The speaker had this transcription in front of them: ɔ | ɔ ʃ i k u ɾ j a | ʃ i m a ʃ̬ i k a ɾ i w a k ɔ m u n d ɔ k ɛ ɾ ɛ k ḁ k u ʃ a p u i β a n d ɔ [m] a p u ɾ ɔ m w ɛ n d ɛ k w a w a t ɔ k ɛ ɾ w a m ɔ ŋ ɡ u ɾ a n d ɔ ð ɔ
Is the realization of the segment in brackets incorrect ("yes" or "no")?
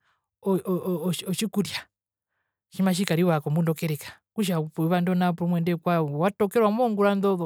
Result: yes